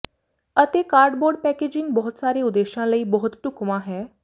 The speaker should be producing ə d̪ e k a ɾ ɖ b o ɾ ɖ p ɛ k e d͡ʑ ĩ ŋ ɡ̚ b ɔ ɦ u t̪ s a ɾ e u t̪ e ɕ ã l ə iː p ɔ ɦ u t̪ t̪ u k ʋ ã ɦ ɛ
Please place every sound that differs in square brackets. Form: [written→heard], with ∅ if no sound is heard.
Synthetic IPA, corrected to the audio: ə [d̪→t̪] e k a ɾ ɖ b o ɾ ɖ p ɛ k e d͡ʑ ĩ ŋ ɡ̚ b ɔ ɦ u t̪ s a ɾ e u [t̪→d̪] e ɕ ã l ə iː [p→b] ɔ ɦ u t̪ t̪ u k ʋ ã ɦ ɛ